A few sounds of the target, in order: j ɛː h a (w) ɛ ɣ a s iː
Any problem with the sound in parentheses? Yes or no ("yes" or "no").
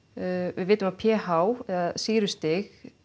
no